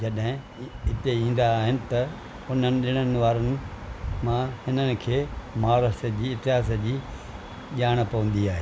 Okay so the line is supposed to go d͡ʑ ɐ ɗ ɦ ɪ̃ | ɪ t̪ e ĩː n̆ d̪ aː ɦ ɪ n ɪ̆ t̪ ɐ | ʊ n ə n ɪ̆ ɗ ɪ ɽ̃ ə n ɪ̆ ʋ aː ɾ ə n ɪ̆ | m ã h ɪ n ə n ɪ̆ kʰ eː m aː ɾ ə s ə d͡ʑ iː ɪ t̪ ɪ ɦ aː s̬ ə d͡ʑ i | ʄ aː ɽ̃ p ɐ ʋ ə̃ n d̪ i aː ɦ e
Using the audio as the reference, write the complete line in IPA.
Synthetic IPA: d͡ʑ ɐ ɗ ɦ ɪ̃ | ɪ t̪ e ĩː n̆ d̪ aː ɦ ɪ n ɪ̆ t̪ ɐ | ʊ n ə n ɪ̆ ɗ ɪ ɽ̃ ə n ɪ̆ ʋ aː ɾ ə n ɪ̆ | m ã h ɪ n ə n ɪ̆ kʰ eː m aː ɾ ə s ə d͡ʑ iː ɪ t̪ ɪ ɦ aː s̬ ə d͡ʑ iː | ʄ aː ɽ̃ p ɐ ʋ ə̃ n d̪ i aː ɦ e

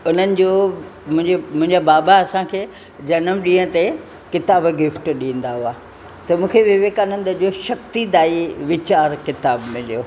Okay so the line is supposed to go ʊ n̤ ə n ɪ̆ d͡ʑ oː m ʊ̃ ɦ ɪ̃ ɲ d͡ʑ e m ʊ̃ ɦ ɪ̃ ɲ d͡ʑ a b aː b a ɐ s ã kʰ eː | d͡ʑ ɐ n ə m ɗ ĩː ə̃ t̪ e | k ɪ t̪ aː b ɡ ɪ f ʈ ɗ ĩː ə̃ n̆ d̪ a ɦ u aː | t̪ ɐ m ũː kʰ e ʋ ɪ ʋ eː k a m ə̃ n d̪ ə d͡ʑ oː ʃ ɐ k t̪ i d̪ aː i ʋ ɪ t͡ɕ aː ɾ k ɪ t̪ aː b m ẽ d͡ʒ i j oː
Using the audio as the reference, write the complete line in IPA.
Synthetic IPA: ʊ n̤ ə n ɪ̆ d͡ʑ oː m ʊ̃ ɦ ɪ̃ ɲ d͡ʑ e m ʊ̃ ɦ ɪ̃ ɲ d͡ʑ a b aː b a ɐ s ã kʰ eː | d͡ʑ ɐ n ə m ɗ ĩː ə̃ t̪ e | k ɪ t̪ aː b ɡ ɪ f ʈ ɗ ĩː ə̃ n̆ d̪ a ɦ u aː | t̪ ɐ m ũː kʰ e ʋ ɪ ʋ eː k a n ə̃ n d̪ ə d͡ʑ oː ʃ ɐ k t̪ i d̪ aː i ʋ ɪ t͡ɕ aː ɾ k ɪ t̪ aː b m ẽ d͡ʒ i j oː

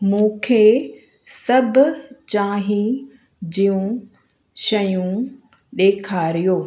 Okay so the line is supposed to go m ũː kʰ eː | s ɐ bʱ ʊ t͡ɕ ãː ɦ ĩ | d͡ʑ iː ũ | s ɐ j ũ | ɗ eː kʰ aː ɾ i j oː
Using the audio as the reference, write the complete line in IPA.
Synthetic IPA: m ũː kʰ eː | s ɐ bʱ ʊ t͡ɕ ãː ɦ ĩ | d͡ʑ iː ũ | ʃ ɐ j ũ | ɗ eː kʰ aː ɾ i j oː

